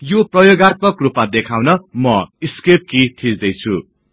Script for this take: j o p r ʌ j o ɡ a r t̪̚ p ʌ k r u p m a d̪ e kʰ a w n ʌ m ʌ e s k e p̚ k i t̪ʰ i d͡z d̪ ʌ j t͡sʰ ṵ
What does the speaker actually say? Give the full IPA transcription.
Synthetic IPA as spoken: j o p r ʌ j o ɡ a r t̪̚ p ʌ k r u p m a d̪ e kʰ a w n ʌ m ʌ i s k e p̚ k i t̪ʰ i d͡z d̪ ʌ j t͡sʰ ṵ